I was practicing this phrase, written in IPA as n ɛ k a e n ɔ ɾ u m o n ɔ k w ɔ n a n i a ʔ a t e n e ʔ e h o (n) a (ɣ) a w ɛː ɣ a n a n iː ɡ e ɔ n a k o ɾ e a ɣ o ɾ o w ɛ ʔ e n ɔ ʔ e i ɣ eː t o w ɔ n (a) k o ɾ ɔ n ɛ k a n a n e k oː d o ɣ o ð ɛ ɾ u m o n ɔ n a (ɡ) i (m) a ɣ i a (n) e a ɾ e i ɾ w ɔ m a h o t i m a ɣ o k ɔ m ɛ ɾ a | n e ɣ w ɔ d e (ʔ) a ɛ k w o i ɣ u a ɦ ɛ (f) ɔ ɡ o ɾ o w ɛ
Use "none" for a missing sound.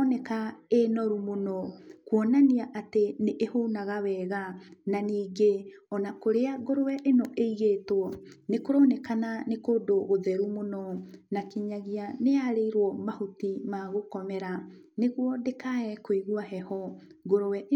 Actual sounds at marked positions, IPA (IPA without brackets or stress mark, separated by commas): n, ɣ, e, k, ɲ, n, k, h